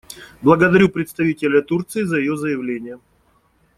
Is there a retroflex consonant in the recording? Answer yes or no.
no